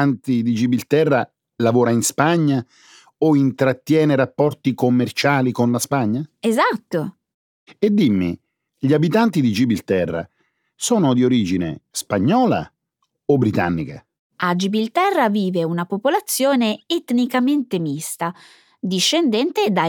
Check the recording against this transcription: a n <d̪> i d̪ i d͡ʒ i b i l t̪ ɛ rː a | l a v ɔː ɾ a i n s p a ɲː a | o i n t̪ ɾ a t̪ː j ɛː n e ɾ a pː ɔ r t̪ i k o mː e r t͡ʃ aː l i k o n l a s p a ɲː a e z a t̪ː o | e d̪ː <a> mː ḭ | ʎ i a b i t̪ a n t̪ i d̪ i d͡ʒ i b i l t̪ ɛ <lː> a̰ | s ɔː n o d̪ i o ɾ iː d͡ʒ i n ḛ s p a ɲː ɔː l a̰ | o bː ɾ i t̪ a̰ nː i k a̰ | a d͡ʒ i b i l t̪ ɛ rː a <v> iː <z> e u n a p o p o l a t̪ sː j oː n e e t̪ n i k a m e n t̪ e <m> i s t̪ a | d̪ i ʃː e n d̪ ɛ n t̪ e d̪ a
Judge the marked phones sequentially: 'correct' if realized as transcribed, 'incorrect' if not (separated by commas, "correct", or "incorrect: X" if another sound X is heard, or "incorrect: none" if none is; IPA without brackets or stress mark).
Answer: incorrect: t̪, incorrect: i, incorrect: rː, correct, incorrect: v, correct